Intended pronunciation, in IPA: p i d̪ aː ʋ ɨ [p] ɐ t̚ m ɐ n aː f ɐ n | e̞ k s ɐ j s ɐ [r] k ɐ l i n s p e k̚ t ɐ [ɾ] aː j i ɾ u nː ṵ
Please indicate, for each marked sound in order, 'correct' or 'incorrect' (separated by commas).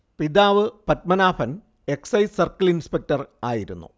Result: correct, correct, incorrect